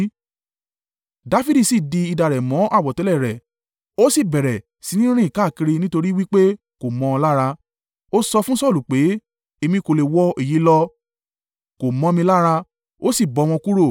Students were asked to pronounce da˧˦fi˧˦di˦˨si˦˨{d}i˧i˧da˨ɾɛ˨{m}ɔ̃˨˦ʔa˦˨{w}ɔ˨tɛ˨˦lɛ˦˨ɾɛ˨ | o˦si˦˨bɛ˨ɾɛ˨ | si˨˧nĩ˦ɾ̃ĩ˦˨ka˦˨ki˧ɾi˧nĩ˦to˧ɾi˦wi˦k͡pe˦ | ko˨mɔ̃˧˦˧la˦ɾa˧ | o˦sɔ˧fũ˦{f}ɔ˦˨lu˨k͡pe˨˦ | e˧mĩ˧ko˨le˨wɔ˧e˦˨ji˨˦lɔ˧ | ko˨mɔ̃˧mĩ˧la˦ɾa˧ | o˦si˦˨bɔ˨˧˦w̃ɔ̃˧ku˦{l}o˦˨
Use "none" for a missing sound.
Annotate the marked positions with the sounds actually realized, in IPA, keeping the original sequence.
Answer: d, m, w, s, ɾ

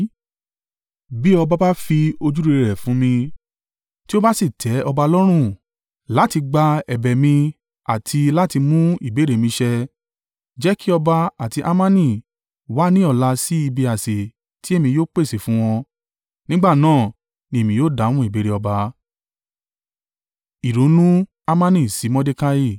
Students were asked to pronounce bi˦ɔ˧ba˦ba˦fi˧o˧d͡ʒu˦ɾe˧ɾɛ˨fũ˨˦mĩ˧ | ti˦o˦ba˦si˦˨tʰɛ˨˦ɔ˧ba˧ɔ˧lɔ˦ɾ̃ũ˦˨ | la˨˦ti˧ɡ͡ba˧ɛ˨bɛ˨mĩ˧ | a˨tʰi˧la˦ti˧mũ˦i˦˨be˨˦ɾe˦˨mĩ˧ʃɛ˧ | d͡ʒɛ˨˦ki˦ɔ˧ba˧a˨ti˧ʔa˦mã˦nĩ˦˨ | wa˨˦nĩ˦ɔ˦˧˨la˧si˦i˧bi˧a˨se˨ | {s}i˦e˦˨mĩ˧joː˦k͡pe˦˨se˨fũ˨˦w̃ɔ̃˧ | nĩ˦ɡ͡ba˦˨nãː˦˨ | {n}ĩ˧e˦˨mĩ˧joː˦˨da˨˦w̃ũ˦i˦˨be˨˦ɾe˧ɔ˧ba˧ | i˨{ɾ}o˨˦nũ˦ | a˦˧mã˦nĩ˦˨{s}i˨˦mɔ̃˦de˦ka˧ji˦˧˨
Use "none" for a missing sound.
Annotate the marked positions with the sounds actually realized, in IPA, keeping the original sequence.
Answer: t, n, ɾ, s

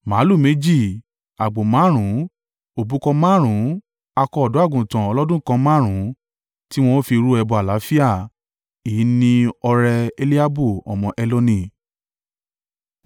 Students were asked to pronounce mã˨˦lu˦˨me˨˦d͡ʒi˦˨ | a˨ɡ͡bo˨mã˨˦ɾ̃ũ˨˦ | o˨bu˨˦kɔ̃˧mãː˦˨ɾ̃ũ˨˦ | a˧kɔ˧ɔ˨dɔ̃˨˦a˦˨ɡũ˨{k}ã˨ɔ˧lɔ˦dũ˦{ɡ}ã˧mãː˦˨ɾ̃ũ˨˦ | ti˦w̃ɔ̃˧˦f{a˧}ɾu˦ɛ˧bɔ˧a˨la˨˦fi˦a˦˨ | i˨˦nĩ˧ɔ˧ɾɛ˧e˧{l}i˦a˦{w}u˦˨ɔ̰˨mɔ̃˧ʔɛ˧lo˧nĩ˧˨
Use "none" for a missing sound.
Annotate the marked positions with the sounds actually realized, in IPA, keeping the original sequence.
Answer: t, k, i˧, l, b

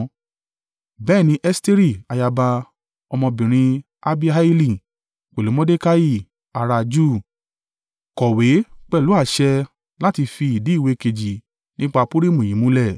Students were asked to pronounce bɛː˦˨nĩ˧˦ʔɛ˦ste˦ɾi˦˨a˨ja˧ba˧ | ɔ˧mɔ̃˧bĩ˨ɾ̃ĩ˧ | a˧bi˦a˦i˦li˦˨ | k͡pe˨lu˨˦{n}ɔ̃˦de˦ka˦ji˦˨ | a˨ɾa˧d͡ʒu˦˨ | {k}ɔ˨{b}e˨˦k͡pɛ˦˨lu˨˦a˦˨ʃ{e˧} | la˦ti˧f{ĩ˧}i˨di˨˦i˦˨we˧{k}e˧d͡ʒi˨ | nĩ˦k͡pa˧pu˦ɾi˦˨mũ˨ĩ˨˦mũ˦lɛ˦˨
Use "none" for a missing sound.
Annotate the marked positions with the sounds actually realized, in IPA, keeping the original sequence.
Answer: m, k, w, ɛ˧, i˧, k

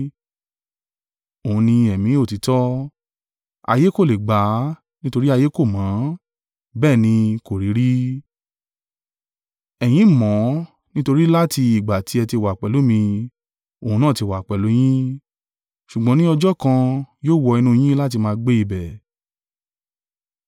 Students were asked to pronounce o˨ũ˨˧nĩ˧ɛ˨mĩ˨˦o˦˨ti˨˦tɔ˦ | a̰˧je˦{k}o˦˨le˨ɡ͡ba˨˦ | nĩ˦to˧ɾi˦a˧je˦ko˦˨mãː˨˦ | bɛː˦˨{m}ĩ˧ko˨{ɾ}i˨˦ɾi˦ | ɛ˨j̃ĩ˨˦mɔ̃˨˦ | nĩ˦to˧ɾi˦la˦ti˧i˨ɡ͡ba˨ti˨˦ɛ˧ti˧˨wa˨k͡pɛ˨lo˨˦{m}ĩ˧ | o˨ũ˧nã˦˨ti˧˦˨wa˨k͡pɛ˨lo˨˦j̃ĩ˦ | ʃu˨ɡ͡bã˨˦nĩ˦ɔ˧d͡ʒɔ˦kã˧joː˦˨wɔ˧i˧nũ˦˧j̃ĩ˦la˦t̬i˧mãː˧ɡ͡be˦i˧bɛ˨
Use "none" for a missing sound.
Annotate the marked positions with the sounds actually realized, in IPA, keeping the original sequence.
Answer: k, n, ɾ, m

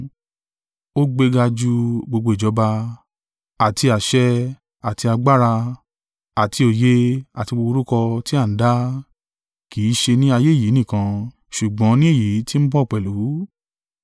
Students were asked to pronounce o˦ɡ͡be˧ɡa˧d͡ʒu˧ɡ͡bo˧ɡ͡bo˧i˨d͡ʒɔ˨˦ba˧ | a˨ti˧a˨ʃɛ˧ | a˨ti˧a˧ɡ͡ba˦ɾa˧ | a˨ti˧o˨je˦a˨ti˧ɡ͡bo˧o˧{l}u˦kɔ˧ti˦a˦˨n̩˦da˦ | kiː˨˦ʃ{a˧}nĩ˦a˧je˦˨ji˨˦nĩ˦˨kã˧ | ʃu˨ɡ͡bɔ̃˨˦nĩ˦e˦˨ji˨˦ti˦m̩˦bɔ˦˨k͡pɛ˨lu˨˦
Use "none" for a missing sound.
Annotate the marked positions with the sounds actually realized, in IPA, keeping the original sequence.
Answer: ɾ, e˧

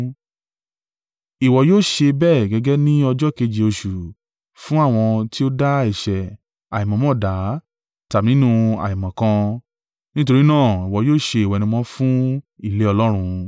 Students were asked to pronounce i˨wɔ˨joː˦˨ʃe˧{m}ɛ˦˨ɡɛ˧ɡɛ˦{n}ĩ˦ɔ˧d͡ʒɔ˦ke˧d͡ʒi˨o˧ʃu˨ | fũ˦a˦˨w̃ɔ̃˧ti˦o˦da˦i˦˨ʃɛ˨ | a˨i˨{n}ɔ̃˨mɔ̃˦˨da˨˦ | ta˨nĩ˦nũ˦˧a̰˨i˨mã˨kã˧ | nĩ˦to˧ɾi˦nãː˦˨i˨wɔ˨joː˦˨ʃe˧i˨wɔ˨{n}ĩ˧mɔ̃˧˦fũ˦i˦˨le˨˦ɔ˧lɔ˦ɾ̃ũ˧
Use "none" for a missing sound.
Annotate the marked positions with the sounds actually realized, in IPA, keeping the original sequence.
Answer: b, n, m, n

